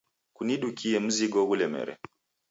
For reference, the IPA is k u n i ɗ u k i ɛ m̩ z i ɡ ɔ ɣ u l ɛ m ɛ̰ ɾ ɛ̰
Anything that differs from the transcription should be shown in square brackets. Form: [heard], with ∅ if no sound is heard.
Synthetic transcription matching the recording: k u n i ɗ u k i ɛ m̩ z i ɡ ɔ ɣ u l ɛ m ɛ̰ ɾ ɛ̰